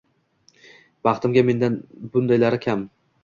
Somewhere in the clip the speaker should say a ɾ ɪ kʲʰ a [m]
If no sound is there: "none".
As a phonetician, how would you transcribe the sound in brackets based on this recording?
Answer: m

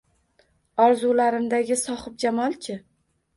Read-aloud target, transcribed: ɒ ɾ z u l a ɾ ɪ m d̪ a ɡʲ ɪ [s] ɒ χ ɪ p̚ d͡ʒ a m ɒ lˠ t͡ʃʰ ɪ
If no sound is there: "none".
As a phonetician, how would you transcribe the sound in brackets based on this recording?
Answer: s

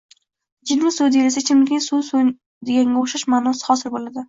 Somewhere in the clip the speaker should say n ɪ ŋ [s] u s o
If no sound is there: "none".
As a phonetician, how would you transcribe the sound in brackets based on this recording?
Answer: s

